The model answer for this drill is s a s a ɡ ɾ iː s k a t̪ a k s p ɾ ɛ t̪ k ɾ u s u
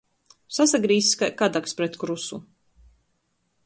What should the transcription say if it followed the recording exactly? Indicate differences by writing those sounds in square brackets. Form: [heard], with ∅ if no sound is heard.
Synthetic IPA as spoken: s a s a ɡ ɾ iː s k a [d̪] a k s p ɾ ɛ t̪ k ɾ u s u